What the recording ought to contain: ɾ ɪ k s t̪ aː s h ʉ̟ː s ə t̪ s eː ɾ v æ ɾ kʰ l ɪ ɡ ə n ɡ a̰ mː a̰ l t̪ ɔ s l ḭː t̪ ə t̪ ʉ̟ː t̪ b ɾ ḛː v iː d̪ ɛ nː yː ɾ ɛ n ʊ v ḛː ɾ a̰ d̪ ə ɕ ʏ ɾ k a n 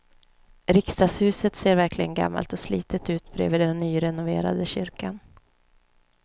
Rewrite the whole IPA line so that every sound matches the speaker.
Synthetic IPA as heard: ɾ ɪ k s t̪ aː s h ʉ̟ː s ə t̪ s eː ɾ v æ ɾ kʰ l ɪ ɡ ə n ɡ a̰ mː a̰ l t̪ ɔ s l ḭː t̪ ə t̪ ʉ̟ː t̪ b ɾ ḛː v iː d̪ ɛ nː yː ɾ ɛ n ʊ v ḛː ɾ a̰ d̪ ə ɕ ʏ ɾ k a n